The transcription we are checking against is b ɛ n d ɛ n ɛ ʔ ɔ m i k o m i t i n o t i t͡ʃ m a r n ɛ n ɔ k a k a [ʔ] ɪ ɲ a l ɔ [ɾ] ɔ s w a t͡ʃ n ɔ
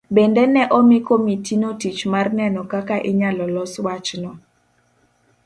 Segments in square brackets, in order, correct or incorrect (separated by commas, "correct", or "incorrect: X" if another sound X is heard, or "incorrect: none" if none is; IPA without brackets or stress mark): correct, incorrect: l